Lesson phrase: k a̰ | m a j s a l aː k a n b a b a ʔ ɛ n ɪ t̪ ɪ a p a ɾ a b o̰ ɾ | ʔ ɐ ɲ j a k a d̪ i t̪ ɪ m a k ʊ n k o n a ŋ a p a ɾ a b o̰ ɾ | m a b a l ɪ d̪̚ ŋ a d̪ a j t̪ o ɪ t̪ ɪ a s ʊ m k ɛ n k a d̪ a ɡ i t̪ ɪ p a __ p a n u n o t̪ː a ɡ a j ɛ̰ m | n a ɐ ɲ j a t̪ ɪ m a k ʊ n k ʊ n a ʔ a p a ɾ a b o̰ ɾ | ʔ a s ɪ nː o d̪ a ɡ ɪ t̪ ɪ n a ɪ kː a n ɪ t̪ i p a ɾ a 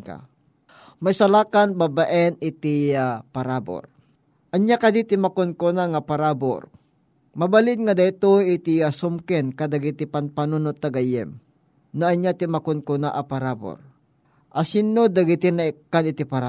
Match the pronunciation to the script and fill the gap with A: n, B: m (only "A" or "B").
A